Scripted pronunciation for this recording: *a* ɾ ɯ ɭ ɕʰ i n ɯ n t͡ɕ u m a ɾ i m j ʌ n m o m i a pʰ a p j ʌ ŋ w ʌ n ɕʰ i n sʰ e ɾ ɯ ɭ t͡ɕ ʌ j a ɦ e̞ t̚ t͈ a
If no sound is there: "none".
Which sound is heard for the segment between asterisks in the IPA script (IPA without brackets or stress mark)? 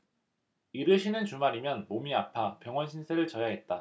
i